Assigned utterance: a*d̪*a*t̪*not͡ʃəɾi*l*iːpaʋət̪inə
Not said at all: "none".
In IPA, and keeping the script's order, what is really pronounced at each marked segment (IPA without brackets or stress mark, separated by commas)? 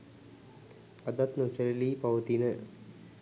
d̪, t̪, l